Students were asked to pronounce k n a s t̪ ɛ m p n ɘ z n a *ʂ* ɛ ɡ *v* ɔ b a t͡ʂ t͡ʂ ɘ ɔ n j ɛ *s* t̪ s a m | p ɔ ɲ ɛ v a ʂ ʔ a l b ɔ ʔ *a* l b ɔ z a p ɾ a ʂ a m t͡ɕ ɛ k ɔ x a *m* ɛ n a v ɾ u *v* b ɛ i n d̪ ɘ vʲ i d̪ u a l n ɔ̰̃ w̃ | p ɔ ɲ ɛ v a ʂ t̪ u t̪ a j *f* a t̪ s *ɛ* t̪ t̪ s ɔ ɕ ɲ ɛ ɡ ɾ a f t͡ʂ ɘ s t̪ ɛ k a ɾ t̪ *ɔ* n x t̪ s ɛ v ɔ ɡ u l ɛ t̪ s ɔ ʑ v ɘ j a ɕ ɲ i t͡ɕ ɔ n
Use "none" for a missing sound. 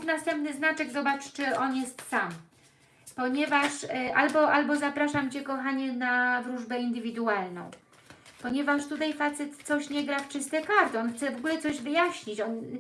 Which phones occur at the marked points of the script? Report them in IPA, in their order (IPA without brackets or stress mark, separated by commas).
t͡ʂ, z, s, a, ɲ, ʐ, f, ɛ, ɔ